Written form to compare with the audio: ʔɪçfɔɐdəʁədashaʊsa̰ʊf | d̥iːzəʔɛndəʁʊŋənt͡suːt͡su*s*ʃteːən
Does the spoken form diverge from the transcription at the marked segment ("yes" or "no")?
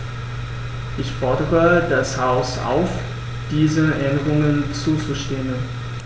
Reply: yes